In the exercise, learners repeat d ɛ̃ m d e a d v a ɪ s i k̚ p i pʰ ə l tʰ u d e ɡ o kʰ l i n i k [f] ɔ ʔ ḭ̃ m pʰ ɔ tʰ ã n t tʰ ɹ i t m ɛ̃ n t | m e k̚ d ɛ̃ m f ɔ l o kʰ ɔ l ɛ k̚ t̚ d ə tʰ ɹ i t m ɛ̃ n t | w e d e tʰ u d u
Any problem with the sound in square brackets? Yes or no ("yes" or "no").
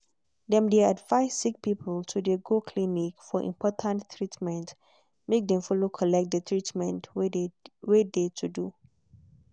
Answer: no